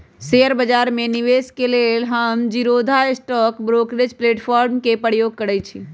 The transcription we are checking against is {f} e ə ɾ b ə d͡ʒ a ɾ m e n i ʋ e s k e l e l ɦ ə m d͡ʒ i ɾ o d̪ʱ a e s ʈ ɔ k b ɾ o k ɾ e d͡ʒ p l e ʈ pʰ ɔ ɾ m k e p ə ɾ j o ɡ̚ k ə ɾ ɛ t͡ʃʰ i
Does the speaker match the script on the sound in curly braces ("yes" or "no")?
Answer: no